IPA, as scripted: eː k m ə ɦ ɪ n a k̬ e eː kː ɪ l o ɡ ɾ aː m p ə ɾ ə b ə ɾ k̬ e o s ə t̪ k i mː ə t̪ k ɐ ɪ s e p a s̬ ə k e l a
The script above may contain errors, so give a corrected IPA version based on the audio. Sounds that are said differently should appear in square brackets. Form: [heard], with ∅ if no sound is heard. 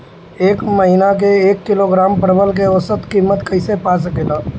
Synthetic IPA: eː k m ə ɦ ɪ n a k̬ e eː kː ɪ l o ɡ ɾ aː m p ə ɾ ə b ə [l] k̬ e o s ə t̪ k i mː ə t̪ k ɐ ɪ s e p a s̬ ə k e l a